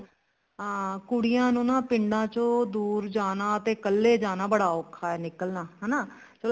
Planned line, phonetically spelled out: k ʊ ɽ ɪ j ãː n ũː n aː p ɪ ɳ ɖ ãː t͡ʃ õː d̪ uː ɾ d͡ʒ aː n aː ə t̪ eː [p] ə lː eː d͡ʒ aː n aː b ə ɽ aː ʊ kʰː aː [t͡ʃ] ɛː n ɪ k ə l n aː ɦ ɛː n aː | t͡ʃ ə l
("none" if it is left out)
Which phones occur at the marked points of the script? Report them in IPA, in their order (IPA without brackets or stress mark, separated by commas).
k, none